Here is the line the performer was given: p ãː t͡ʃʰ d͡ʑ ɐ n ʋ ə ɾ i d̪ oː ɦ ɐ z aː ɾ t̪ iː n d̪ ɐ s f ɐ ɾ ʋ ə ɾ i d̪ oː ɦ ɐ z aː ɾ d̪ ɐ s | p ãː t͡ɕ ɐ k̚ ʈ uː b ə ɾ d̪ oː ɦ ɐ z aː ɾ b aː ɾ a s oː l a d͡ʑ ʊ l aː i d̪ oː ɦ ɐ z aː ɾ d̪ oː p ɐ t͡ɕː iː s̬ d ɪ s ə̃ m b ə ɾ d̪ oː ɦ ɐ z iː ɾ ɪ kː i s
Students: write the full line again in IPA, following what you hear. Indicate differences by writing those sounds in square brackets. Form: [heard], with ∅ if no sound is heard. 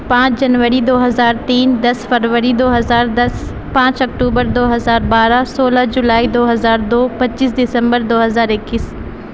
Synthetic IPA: p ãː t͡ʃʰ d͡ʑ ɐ n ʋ ə ɾ i d̪ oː ɦ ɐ z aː ɾ t̪ iː n d̪ ɐ s f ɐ ɾ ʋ ə ɾ i d̪ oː ɦ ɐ z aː ɾ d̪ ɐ s | p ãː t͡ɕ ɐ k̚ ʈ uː b ə ɾ d̪ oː ɦ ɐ z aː ɾ b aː ɾ a s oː l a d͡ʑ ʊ l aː i d̪ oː ɦ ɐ z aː ɾ d̪ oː p ɐ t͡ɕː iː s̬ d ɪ s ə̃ m b ə ɾ d̪ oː ɦ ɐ z [aː] ɾ ɪ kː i s